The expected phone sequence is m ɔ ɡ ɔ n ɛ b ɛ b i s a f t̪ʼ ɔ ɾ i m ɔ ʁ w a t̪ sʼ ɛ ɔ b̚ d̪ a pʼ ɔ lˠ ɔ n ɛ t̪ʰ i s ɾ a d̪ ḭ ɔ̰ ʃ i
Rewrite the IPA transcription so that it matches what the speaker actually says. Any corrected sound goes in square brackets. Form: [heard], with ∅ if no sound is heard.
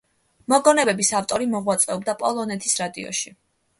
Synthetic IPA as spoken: m ɔ ɡ ɔ n ɛ b ɛ b i s a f t̪ʼ ɔ ɾ i m ɔ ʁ w a t̪ sʼ ɛ ɔ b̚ d̪ a pʼ ɔ lˠ ɔ n ɛ t̪ʰ i s ɾ a d̪ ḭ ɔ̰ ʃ i